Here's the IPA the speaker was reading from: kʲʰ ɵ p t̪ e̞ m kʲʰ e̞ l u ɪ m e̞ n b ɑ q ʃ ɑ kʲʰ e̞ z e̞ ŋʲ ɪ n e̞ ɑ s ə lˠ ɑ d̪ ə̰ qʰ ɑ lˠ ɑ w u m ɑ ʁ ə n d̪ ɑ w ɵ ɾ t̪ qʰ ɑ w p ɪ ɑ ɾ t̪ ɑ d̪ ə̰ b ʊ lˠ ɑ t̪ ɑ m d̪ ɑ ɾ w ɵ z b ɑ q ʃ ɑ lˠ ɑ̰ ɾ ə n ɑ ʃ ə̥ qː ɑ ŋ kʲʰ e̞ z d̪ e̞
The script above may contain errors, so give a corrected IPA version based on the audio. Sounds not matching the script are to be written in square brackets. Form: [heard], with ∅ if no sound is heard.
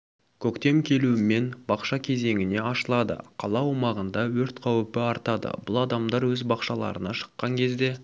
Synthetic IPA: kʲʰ ɵ [k] t̪ e̞ m kʲʰ e̞ l u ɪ m e̞ n b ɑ q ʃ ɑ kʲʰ e̞ z e̞ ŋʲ ɪ n e̞ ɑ [ʃ] ə lˠ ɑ d̪ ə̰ qʰ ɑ lˠ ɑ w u m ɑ ʁ ə n d̪ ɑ w ɵ ɾ t̪ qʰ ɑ w p ɪ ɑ ɾ t̪ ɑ d̪ ə̰ b ʊ lˠ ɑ [d̪] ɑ m d̪ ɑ ɾ w ɵ z b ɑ q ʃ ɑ lˠ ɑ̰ ɾ ə n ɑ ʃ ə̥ qː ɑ ŋ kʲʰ e̞ z d̪ e̞